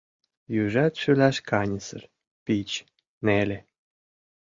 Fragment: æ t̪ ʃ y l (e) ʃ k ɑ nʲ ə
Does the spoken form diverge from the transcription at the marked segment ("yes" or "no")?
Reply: yes